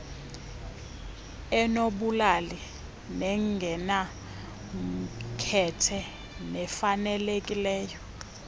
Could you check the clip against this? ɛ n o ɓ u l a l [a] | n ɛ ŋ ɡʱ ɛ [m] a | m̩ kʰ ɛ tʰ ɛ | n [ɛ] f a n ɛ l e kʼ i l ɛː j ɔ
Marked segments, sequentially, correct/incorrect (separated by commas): incorrect, incorrect, correct